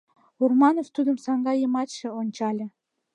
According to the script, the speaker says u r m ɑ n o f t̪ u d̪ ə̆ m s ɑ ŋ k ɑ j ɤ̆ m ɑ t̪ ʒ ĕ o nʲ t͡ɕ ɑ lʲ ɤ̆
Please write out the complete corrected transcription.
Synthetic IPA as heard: u r m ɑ n o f t̪ u d̪ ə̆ m s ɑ ŋ ɡ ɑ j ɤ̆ m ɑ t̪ ʃ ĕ o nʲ t͡ɕ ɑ lʲ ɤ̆